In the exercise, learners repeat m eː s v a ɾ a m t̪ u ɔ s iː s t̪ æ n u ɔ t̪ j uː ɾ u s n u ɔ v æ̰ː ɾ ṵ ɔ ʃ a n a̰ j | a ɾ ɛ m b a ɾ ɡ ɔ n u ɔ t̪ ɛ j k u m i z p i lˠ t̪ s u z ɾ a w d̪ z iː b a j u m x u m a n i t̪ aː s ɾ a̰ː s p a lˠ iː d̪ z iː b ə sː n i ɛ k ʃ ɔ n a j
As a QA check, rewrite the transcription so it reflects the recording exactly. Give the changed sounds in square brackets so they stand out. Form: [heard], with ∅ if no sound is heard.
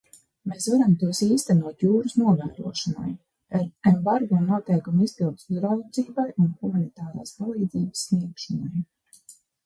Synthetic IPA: m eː s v a ɾ a m t̪ u ɔ s iː s t̪ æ n u ɔ t̪ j uː ɾ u s n u ɔ v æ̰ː ɾ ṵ ɔ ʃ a n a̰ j | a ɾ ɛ m b a ɾ ɡ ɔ n u ɔ t̪ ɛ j k u m i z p i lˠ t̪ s u z ɾ a w d̪ z iː b a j u [n] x u m a n i t̪ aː [∅] ɾ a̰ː s p a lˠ iː d̪ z iː b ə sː n i ɛ k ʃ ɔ n a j